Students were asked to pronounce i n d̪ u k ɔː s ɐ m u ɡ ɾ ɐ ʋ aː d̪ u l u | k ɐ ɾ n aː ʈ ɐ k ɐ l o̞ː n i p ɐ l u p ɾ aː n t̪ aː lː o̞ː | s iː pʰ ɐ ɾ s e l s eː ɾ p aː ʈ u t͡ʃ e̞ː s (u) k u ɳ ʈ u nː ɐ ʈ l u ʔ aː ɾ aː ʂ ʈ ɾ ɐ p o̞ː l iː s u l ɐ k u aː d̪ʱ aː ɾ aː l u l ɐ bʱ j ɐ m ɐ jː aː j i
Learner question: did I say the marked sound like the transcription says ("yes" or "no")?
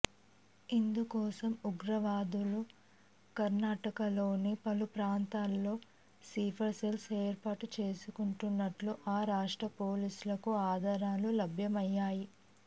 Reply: yes